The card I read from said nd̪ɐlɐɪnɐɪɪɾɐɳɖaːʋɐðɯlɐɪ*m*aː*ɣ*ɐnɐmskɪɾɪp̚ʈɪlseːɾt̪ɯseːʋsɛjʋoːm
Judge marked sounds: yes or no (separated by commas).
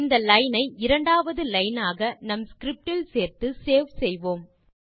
no, yes